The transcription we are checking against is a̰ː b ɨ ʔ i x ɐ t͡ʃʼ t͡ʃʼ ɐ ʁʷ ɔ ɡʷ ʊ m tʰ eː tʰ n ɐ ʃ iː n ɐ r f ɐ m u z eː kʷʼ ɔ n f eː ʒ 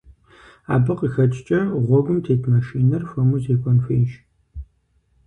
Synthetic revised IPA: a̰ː b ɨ q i x ɐ t͡ʃʼ t͡ʃʼ ɐ ʁʷ ɔ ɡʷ ʊ m tʰ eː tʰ m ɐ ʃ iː n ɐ r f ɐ m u z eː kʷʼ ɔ n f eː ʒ